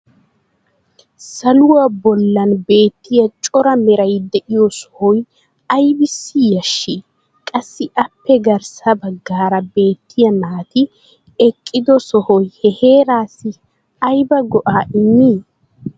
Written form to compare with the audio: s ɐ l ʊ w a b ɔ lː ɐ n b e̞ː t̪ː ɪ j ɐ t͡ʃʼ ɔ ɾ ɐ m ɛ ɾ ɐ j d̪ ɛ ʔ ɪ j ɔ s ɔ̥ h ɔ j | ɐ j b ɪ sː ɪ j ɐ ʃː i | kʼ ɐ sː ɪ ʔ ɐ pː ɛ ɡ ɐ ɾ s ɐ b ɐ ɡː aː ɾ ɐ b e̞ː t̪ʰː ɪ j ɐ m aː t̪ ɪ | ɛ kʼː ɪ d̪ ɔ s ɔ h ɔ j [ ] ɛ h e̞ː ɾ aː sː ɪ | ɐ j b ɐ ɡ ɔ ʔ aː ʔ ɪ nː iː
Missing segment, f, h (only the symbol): h